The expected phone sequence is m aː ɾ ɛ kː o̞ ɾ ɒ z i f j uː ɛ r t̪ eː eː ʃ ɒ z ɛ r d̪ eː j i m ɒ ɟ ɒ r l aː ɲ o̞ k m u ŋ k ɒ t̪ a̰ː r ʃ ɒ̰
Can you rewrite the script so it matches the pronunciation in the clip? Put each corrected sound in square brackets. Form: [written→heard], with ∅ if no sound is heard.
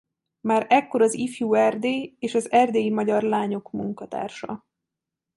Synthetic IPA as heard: m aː ɾ ɛ kː o̞ ɾ ɒ z i f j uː ɛ r [t̪→d̪] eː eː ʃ ɒ z ɛ r d̪ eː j i m ɒ ɟ ɒ r l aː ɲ o̞ k m u ŋ k ɒ t̪ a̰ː r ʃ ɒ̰

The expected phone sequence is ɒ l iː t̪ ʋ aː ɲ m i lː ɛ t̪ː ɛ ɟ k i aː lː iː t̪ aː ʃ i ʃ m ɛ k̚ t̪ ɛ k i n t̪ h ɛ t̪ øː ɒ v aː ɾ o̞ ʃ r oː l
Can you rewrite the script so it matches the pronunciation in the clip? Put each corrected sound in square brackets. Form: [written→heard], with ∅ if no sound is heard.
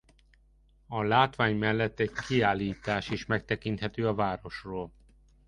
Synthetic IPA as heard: ɒ l [iː→aː] t̪ ʋ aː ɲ m [i→ɛ] lː ɛ t̪ː ɛ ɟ k i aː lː iː t̪ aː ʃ i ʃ m ɛ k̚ t̪ ɛ k i n t̪ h ɛ t̪ øː ɒ v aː ɾ o̞ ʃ r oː l

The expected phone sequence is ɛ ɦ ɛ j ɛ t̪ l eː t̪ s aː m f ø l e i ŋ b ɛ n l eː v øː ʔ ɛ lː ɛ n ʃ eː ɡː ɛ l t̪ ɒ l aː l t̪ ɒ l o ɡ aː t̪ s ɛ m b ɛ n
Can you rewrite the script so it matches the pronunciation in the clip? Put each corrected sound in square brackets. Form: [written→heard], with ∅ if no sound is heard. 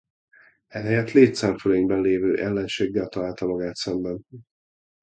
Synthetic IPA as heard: ɛ ɦ ɛ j ɛ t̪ l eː t̪ s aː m f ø l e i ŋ b ɛ n l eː v øː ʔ ɛ lː ɛ n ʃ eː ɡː ɛ l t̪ ɒ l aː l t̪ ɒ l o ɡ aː t̪ s ɛ m b ɛ n

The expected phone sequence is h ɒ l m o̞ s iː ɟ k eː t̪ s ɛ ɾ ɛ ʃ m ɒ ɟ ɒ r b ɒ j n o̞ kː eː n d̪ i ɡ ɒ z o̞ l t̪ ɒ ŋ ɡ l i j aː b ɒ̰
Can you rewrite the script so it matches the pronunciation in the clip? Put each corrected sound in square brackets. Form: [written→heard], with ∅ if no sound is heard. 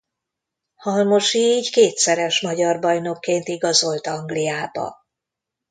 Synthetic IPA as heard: h ɒ l m o̞ [s→ʃ] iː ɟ k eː t̪ s ɛ ɾ ɛ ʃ m ɒ ɟ ɒ r b ɒ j n o̞ kː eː n [d̪→t̪] i ɡ ɒ z o̞ l t̪ ɒ ŋ ɡ l i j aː b ɒ̰

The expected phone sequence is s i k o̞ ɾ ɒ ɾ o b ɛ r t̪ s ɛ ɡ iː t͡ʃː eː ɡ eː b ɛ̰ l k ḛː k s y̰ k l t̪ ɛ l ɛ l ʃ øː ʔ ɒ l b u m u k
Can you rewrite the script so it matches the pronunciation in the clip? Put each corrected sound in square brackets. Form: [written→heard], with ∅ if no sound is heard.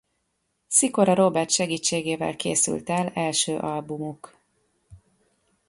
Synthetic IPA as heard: s i k o̞ ɾ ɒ ɾ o b ɛ r t̪ [s→ʃ] ɛ ɡ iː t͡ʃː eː ɡ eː [b→v] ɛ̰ l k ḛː [k→∅] s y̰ [k→∅] l t̪ ɛ l ɛ l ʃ øː ʔ ɒ l b u m u k

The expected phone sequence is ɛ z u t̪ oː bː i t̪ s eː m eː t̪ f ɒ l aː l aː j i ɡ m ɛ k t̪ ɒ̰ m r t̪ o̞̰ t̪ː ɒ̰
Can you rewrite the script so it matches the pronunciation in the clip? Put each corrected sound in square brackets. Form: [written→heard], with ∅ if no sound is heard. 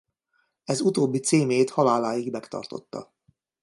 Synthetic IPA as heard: ɛ z u t̪ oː bː i t̪ s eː m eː t̪ [f→h] ɒ l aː l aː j i ɡ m ɛ k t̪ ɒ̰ [m→∅] r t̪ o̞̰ t̪ː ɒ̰

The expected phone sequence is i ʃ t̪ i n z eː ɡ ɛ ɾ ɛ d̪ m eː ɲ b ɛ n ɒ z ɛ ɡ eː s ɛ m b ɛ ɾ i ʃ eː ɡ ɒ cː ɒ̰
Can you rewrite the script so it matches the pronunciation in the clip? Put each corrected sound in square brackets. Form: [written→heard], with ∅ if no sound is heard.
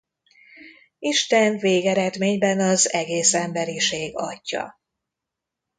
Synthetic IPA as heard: i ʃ t̪ [i→ɛ] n [z→v] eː ɡ ɛ ɾ ɛ d̪ m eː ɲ b ɛ n ɒ z ɛ ɡ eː s ɛ m b ɛ ɾ i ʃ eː ɡ ɒ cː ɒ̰

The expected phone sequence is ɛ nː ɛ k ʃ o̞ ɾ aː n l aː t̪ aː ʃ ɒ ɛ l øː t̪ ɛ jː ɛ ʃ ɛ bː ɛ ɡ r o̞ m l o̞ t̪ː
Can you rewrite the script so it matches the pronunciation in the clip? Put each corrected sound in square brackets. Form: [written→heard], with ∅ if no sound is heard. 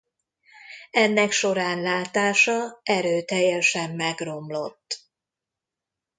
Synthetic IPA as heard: ɛ nː ɛ k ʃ o̞ ɾ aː n l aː t̪ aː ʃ ɒ ɛ [l→ɾ] øː t̪ ɛ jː ɛ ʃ ɛ [bː→mː] ɛ ɡ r o̞ m l o̞ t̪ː

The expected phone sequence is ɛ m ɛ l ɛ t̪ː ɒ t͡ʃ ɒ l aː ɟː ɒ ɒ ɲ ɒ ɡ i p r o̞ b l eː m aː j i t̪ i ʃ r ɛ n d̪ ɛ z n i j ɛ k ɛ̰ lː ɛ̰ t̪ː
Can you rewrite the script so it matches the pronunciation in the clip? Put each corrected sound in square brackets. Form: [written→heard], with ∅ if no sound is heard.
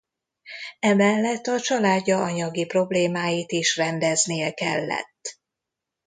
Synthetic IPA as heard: ɛ m ɛ [l→lː] ɛ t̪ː ɒ t͡ʃ ɒ l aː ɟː ɒ ɒ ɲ ɒ ɡ i p r o̞ b l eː m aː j i t̪ i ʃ r ɛ n d̪ ɛ z n i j ɛ k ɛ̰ lː ɛ̰ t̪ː

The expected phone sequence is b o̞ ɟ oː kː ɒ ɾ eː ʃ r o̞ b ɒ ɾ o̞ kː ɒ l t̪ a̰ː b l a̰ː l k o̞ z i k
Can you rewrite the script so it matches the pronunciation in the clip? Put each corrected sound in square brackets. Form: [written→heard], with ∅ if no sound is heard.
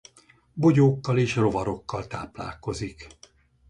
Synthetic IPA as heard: b o̞ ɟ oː kː ɒ [ɾ→l] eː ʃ r o̞ [b→v] ɒ ɾ o̞ kː ɒ l t̪ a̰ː [b→p] l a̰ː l k o̞ z i k

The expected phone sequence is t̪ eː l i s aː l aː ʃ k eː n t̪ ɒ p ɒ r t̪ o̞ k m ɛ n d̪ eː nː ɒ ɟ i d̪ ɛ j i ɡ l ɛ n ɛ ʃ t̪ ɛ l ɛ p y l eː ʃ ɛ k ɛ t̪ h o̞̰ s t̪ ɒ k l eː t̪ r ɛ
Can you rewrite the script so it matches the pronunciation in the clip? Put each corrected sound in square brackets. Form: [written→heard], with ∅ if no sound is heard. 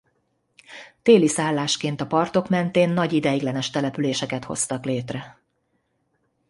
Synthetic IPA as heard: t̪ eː l i s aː [l→lː] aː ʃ k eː n t̪ ɒ p ɒ r t̪ o̞ k m ɛ n [d̪→t̪] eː nː ɒ ɟ i d̪ ɛ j i ɡ l ɛ n ɛ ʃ t̪ ɛ l ɛ p y l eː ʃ ɛ k ɛ t̪ h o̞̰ s t̪ ɒ k l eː t̪ r ɛ

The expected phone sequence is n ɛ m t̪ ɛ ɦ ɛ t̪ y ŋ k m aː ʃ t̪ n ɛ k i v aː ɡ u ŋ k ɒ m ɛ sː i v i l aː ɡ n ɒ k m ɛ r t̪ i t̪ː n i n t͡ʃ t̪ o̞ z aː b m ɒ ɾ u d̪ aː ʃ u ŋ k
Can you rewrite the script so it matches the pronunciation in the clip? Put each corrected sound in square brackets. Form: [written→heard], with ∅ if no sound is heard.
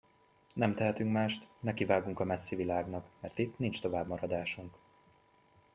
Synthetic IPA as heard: n ɛ m t̪ ɛ ɦ ɛ t̪ y ŋ k m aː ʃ t̪ n ɛ k i v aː ɡ u ŋ k ɒ m ɛ sː i v i l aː ɡ n ɒ k m ɛ r t̪ i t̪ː n i n t͡ʃ t̪ o̞ [z→v] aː b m ɒ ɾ [u→ɒ] d̪ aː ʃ u ŋ k

